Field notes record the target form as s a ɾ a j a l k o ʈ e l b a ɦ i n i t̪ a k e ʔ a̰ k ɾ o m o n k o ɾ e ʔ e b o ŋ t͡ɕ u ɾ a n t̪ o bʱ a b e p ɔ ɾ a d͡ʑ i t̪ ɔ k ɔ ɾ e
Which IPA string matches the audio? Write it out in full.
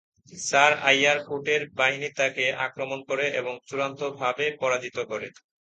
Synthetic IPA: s a ɾ a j a ɾ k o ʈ e ɾ b a ɦ i n i t̪ a k e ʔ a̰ k ɾ o m o n k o ɾ e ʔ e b o ŋ t͡ɕ u ɾ a n t̪ o bʱ a b e p ɔ ɾ a d͡ʑ i t̪ o k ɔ ɾ e